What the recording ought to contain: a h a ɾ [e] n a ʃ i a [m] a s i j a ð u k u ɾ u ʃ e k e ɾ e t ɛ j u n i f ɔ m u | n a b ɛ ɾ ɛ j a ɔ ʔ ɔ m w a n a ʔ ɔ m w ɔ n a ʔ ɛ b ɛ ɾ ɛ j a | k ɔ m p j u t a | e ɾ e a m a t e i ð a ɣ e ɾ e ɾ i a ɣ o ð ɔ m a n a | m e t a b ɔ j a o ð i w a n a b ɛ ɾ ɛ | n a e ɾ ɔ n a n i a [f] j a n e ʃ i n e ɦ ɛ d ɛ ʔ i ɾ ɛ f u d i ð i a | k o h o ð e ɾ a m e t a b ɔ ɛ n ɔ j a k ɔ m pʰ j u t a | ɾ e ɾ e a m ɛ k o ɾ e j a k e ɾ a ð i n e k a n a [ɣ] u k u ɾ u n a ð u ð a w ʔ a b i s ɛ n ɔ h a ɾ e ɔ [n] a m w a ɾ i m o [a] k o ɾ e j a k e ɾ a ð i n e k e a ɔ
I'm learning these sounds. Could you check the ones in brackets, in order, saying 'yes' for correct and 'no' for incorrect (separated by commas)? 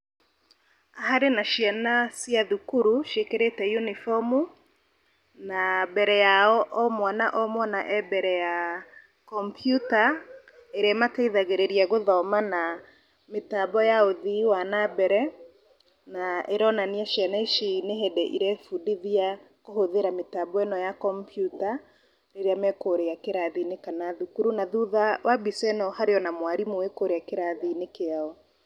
yes, no, no, no, yes, no